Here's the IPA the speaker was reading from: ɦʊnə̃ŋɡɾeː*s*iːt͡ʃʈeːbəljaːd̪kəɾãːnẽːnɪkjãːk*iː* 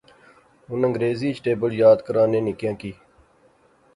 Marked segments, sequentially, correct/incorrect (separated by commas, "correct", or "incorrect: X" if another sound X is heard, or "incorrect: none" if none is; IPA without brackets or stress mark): incorrect: z, correct